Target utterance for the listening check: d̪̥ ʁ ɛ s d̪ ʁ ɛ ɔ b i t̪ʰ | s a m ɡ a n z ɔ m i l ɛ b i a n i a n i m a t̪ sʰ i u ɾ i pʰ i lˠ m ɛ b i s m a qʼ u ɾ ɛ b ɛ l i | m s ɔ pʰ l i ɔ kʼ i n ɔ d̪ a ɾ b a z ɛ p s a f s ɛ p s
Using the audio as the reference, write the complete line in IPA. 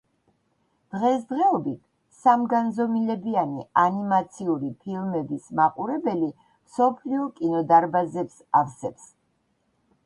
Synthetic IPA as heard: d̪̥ ʁ ɛ s d̪ ʁ ɛ ɔ b i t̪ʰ | s a m ɡ a n z ɔ m i l ɛ b i a n i a n i m a t̪ sʰ i u ɾ i pʰ i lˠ m ɛ b i s m a qʼ u ɾ ɛ b ɛ l i | m s ɔ pʰ l i ɔ kʼ i n ɔ d̪ a ɾ b a z ɛ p s a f s ɛ p s